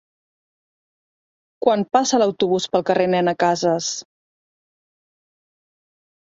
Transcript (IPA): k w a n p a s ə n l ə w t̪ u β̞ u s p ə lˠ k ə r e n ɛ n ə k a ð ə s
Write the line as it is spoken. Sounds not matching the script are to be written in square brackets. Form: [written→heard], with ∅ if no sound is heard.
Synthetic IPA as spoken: k w a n p a s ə [n→∅] l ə w t̪ u β̞ u s p ə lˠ k ə r e n ɛ n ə k a [ð→z] ə s